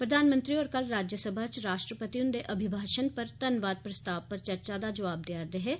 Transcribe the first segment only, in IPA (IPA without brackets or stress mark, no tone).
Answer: p